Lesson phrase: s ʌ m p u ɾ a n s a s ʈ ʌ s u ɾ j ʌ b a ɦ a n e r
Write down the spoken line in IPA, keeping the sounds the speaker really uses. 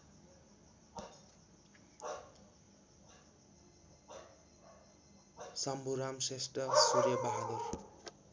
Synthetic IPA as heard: s ʌ m b u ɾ a m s e s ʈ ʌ s u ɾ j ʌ b a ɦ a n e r

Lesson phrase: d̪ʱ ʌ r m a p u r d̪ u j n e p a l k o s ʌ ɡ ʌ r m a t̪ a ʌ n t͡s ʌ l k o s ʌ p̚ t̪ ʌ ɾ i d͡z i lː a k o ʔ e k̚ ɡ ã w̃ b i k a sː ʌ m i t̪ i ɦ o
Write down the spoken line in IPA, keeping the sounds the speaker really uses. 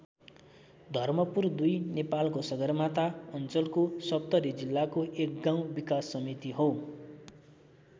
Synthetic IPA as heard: d̪ʱ ʌ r m ʌ p u r d̪ u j n e p a l k o s ʌ ɡ ʌ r m a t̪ a ʌ n t͡s ʌ l k o s ʌ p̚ t̪ ʌ ɾ i d͡z i lː a k o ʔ e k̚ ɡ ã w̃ b i k a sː ʌ m i t̪ i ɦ o

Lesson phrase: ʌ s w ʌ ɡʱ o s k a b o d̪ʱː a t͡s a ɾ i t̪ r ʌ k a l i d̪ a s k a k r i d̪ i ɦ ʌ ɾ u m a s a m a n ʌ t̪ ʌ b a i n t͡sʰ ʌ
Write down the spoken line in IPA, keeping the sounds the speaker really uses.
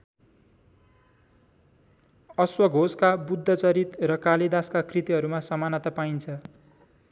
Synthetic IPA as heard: ʌ s w ʌ ɡʱ o s k a b u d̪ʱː ʌ t͡s ʌ ɾ i t̪ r ʌ k a l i d̪ a s k a k r i t̪ i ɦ ʌ ɾ u m a s ʌ m a n ʌ t̪ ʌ p a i n t͡sʰ ʌ

